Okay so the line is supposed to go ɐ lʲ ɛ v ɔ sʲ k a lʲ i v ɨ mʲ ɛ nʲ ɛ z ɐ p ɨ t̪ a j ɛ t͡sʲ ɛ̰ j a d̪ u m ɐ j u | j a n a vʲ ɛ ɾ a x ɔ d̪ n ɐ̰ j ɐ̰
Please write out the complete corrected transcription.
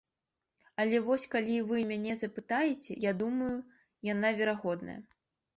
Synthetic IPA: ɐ lʲ ɛ v ɔ sʲ k a lʲ i v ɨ mʲ a nʲ ɛ z ɐ p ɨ t̪ a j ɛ t͡sʲ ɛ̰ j a d̪ u m ɐ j u | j a n a vʲ ɛ ɾ a ɣ ɔ d̪ n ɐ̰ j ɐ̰